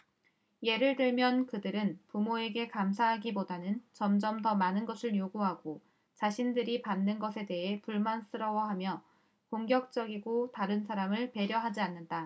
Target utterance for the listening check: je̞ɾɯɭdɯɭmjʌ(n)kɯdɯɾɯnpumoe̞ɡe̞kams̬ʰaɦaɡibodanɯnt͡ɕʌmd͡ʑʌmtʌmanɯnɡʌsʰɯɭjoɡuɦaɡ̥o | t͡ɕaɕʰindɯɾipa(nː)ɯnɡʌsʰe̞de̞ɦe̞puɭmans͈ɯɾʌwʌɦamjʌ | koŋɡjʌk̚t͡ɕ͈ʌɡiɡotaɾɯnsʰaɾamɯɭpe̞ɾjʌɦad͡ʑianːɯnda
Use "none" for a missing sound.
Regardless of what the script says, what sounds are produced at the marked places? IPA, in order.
n, nː

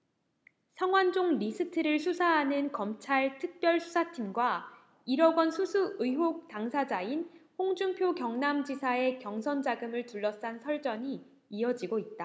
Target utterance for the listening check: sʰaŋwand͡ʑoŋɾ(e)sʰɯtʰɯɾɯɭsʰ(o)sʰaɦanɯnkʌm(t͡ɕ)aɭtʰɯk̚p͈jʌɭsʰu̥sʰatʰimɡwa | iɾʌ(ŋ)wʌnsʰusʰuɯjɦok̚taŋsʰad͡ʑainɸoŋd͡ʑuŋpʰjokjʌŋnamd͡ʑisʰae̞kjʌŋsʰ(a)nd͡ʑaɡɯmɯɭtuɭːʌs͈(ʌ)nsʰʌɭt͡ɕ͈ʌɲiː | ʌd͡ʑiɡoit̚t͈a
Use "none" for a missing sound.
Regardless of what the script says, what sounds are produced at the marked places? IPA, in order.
i, u, t͡ɕʰ, ɡ, ʌ, a

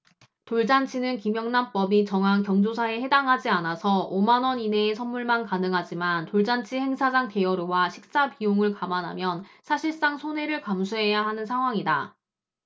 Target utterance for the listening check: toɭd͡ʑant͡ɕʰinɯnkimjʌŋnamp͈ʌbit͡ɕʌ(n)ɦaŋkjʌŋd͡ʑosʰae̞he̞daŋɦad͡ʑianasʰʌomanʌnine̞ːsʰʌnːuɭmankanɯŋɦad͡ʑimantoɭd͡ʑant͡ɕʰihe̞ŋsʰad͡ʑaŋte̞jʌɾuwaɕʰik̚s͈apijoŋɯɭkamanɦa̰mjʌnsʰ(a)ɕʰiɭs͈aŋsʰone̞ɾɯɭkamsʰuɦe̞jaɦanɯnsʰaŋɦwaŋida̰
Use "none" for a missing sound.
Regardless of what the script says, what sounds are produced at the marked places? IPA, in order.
ŋ, a

